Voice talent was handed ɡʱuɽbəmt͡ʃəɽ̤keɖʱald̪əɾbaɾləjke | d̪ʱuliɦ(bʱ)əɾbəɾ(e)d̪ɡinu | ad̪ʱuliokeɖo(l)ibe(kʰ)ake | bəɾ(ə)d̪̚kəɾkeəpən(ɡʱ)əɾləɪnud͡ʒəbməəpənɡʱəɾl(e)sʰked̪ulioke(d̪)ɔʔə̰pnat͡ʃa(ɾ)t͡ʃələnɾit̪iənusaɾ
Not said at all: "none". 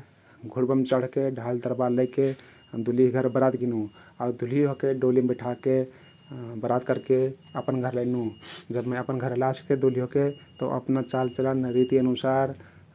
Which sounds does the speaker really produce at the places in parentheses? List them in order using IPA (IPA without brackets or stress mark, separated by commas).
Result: ɡʱ, a, l, ʈʰ, a, ɡʱ, a, t̪, l